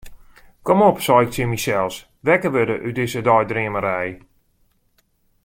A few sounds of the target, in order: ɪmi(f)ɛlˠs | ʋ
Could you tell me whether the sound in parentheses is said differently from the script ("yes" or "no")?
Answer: yes